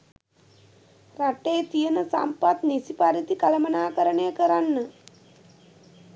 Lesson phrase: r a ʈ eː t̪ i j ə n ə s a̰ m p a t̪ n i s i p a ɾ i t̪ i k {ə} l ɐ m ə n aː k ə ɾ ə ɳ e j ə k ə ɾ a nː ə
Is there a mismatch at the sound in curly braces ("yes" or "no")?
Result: yes